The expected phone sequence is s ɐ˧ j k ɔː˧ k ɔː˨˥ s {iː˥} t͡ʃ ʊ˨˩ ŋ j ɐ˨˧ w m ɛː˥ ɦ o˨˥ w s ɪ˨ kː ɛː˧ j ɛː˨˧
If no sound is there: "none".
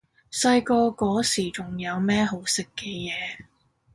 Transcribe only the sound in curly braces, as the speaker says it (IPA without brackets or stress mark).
iː˨˩